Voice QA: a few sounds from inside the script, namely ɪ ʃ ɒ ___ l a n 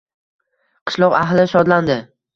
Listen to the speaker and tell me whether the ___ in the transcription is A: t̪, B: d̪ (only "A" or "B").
B